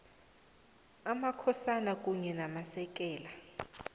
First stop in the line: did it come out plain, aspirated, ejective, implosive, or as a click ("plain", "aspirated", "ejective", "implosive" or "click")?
aspirated